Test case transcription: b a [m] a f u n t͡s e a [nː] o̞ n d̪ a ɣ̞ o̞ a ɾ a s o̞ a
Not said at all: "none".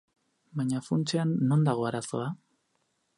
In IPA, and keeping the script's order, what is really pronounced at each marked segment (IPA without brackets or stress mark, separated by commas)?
ɲ, nː